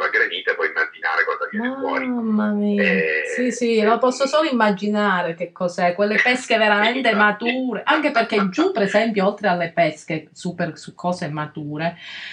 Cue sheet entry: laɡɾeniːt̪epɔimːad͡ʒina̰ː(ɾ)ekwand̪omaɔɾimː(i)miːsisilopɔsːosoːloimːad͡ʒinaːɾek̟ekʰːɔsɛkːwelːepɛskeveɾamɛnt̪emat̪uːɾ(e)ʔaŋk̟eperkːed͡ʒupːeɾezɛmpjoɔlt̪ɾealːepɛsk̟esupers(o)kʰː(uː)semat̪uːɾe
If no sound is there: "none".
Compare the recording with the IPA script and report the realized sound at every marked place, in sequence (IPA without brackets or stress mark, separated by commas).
ɾ, a, e, u, ɔː